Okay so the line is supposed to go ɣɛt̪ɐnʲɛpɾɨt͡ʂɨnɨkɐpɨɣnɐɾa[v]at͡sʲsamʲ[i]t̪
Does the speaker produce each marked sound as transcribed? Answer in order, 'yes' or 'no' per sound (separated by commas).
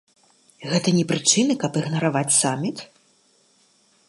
yes, yes